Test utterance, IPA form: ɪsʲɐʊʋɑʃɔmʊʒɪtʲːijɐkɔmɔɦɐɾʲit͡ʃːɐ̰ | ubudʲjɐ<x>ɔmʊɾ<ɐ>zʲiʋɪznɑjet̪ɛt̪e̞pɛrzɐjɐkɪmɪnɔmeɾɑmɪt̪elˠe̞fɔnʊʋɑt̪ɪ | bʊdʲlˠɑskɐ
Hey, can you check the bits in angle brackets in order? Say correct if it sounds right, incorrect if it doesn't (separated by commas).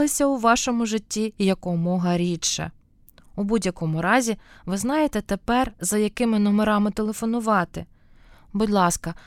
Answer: incorrect, incorrect